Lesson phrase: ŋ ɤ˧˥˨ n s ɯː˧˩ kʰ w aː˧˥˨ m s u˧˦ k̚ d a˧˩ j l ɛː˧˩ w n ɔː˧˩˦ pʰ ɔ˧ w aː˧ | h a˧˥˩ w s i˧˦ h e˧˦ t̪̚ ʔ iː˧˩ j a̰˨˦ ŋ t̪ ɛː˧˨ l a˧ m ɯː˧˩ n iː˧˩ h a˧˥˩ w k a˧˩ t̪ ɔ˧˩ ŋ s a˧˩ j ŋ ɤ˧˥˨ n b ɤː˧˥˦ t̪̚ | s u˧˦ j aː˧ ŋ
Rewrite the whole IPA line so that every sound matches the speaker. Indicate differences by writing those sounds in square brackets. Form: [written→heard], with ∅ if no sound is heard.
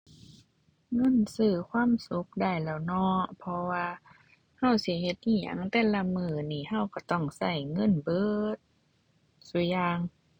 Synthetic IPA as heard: ŋ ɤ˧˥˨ n s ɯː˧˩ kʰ w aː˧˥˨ m s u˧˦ k̚ d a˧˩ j l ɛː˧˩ w n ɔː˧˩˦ pʰ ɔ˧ w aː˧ | h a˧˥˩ w s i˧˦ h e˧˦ t̪̚ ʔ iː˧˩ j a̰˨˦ ŋ t̪ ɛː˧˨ l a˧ m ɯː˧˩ n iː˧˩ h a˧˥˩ w k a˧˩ t̪ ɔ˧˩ ŋ s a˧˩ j ŋ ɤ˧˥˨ n b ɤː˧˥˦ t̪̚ | s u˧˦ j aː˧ ŋ